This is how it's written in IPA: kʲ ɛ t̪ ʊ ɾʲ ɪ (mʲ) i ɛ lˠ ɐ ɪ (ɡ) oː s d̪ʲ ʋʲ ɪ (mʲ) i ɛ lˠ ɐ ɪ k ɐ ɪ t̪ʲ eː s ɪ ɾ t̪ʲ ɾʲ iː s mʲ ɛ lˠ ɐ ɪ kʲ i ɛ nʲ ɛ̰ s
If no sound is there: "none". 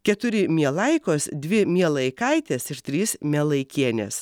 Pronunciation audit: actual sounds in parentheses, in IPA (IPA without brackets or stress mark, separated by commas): mʲ, k, mʲ